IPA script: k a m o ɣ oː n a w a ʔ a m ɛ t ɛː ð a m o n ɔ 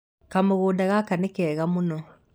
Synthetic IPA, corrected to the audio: k a m o ɣ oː d a ɣ a k a n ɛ k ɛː ɣ a m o n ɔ